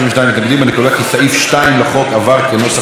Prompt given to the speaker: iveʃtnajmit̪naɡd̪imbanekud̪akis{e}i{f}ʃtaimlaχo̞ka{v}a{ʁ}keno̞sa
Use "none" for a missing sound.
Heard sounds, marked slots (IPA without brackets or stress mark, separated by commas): a, f, v, ʁ